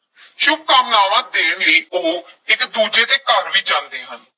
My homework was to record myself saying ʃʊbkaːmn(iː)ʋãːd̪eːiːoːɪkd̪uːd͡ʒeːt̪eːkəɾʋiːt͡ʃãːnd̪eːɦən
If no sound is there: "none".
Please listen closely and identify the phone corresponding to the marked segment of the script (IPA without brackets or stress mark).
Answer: aː